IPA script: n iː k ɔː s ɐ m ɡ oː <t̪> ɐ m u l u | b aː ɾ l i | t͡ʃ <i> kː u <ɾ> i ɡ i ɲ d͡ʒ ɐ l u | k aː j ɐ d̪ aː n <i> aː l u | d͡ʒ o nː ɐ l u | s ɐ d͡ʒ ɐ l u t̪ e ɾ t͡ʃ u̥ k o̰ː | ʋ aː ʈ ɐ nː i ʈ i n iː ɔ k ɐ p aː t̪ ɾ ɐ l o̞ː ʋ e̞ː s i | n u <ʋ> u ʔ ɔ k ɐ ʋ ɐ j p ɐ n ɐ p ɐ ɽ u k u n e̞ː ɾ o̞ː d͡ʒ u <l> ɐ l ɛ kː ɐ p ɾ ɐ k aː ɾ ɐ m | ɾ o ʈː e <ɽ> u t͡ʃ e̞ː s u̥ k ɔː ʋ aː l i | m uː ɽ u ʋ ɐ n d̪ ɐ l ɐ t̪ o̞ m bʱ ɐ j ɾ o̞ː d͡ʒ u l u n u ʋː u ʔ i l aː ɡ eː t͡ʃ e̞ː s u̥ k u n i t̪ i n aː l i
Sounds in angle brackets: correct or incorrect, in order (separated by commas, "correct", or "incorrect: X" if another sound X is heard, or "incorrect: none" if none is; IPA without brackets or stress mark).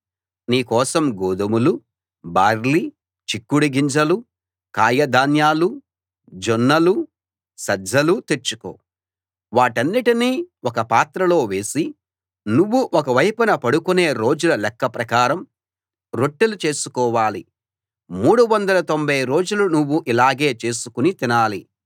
incorrect: d̪, correct, incorrect: ɽ, incorrect: j, incorrect: ʋː, correct, incorrect: l